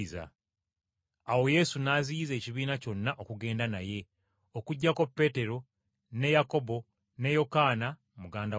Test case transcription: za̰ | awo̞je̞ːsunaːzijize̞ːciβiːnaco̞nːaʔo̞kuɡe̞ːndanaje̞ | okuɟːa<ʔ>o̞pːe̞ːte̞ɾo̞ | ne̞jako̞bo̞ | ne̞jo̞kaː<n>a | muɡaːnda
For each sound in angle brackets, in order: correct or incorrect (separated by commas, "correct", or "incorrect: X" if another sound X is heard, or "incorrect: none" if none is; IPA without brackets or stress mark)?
incorrect: k, correct